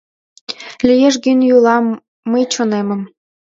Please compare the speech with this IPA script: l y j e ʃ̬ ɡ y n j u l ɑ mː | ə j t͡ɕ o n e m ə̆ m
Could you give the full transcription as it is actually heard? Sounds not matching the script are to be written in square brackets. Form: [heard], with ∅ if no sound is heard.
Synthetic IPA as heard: l [i] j e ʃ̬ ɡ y n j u l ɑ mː | ə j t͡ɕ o n e m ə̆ m